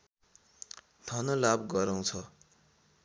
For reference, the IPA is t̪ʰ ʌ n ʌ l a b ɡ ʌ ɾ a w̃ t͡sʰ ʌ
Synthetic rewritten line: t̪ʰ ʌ n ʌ l a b ɡ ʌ ɾ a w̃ t͡sʰ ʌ